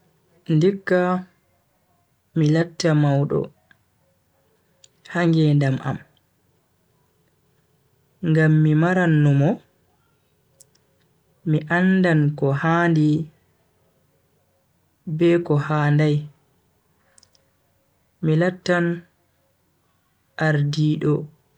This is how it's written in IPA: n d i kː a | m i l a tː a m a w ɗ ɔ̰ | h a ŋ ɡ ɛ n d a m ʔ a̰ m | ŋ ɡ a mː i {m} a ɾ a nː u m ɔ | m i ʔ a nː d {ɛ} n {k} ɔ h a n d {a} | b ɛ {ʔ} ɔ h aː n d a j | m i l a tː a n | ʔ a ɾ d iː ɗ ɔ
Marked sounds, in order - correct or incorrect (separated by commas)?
correct, incorrect, correct, incorrect, incorrect